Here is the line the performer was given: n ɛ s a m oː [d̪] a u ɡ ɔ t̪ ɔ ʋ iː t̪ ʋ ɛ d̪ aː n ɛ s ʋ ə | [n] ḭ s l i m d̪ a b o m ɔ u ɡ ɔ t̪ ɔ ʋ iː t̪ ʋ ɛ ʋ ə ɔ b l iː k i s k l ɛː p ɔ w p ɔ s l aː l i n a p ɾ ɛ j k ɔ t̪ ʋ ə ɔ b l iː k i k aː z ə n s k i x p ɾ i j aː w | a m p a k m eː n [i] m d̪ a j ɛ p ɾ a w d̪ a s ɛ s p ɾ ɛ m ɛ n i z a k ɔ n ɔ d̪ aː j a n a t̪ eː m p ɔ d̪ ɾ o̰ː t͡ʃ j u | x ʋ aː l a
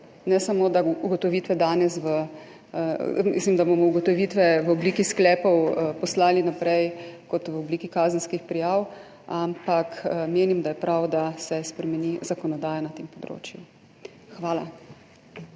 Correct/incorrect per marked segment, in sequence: correct, incorrect: m, correct

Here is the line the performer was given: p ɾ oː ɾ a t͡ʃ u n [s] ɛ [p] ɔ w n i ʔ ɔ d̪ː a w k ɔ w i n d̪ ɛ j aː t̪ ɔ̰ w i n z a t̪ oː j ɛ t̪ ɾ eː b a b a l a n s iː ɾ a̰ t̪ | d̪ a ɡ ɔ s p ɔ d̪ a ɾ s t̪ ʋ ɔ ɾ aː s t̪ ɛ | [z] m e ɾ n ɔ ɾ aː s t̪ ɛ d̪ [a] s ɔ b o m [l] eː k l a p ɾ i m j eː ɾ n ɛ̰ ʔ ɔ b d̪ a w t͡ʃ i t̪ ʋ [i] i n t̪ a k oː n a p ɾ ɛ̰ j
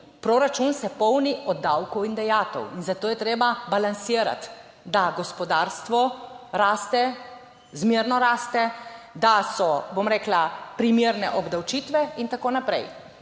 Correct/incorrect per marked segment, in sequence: correct, correct, correct, correct, incorrect: ɾ, incorrect: ɛ

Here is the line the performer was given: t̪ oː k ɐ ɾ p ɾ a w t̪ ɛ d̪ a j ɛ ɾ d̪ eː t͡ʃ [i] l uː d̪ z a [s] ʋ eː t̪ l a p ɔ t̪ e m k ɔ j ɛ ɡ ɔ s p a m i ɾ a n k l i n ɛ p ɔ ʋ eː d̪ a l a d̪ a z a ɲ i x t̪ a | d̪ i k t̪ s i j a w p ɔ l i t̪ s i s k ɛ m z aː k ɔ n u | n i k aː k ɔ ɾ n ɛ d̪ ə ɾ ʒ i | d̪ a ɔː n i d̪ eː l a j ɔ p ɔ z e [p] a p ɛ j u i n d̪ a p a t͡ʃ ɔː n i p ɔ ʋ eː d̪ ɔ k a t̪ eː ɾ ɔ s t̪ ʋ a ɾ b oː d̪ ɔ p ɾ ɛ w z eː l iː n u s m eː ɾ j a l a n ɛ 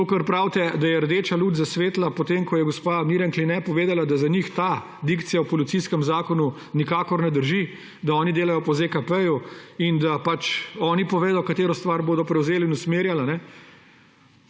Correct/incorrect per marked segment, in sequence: incorrect: a, correct, incorrect: k

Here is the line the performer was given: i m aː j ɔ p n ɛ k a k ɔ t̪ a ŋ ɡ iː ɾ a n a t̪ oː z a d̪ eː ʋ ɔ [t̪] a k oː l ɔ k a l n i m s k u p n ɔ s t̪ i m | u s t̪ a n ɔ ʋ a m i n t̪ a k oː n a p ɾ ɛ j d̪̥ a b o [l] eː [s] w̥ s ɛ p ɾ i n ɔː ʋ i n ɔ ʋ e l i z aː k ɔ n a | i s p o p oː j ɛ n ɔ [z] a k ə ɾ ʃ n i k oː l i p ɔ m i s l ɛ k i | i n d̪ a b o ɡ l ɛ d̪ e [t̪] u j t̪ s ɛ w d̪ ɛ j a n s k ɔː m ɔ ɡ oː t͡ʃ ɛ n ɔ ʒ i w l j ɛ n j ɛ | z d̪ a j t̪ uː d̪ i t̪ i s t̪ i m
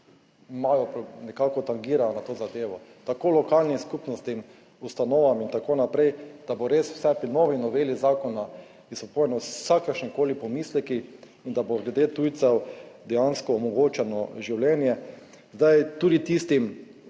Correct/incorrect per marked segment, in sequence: correct, incorrect: ɾ, correct, incorrect: s, correct

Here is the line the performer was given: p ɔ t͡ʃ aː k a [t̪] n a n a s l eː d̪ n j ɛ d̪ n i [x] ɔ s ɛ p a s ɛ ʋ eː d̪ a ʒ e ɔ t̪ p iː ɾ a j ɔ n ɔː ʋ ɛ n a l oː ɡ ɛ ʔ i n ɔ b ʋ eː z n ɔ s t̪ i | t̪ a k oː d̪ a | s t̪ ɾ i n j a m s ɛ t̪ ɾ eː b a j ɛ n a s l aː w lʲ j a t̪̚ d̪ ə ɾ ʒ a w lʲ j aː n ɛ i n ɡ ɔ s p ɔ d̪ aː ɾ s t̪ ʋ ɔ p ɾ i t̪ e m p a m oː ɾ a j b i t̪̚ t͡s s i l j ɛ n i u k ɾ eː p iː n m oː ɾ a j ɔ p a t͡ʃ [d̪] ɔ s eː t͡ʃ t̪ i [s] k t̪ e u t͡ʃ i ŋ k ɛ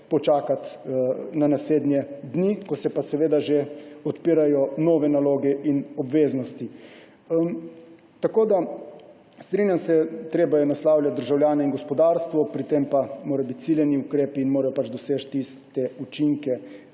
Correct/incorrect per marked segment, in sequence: correct, incorrect: k, correct, correct

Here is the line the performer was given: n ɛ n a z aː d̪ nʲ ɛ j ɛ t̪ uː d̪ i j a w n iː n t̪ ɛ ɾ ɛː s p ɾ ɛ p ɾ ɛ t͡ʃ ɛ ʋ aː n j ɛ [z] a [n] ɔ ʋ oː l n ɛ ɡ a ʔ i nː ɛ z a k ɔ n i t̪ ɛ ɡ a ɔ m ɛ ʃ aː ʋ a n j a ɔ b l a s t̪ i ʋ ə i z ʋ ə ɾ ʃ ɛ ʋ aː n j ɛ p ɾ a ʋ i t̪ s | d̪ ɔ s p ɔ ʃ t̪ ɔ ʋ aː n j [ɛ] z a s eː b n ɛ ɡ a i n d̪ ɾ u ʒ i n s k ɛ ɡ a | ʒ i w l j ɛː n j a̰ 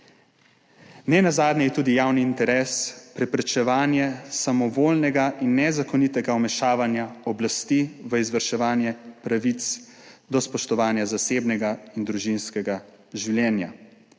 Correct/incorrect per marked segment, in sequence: incorrect: s, incorrect: m, incorrect: a

